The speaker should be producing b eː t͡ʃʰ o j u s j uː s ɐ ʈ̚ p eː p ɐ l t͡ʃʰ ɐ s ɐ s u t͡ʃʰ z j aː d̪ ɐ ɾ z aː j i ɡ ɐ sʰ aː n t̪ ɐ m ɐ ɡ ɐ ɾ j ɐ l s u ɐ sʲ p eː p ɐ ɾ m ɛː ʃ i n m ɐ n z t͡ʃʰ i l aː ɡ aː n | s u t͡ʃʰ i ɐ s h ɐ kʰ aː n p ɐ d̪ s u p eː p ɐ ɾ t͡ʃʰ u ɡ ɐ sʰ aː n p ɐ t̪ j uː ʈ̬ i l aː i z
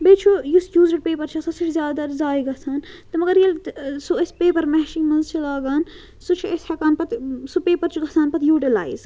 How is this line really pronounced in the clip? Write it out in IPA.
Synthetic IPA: b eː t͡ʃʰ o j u s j uː z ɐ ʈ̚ p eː p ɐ ɾ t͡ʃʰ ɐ s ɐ s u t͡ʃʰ z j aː d̪ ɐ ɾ z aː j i ɡ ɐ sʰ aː n t̪ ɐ m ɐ ɡ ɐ ɾ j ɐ l s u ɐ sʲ p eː p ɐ ɾ m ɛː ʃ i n m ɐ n z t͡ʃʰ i l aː ɡ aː n | s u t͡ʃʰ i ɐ s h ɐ k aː n p ɐ t̪ s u p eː p ɐ ɾ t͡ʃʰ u ɡ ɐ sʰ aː n p ɐ t̪ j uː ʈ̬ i l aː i z